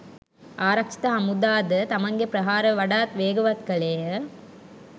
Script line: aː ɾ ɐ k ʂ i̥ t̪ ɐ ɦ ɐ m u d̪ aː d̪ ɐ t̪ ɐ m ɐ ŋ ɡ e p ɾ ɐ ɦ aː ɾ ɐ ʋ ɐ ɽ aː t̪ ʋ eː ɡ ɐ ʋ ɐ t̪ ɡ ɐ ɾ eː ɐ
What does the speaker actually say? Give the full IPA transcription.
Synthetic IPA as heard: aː ɾ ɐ k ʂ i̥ t̪ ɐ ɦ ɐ m u d̪ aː d̪ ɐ t̪ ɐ m ɐ ŋ ɡ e p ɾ ɐ ɦ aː ɾ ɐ ʋ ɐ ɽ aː t̪ ʋ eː ɡ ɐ ʋ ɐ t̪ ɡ ɐ ɭ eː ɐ